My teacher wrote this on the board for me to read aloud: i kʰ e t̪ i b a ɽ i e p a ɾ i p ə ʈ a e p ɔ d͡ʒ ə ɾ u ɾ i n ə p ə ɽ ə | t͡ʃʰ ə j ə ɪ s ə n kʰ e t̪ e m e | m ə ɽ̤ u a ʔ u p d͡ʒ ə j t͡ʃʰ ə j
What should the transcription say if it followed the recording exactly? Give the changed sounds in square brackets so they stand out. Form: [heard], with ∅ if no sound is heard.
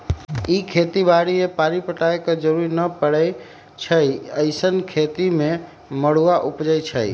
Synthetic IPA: i kʰ e t̪ i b a ɽ i e p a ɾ i p ə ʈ a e [k] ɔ d͡ʒ ə ɾ u ɾ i n ə p ə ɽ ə | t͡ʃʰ ə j ə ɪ s ə n kʰ e t̪ [i] m e | m ə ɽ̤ u a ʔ u p d͡ʒ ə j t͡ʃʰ ə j